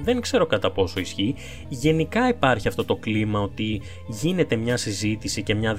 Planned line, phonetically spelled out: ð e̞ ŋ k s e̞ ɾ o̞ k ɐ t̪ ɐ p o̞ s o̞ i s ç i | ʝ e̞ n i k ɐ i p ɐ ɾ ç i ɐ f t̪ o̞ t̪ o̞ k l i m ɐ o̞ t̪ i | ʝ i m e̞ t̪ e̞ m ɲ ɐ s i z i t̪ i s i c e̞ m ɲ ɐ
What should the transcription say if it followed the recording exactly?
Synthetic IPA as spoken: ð e̞ ŋ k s e̞ ɾ o̞ k ɐ t̪ ɐ p o̞ s o̞ i s ç i | ʝ e̞ n i k ɐ i p ɐ ɾ ç i ɐ f t̪ o̞ t̪ o̞ k l i m ɐ o̞ t̪ i | ʝ i n e̞ t̪ e̞ m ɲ ɐ s i z i t̪ i s i c e̞ m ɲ ɐ